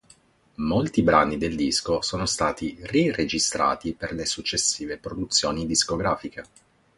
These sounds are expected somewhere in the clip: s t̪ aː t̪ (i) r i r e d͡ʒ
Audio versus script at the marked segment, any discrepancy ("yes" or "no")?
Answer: no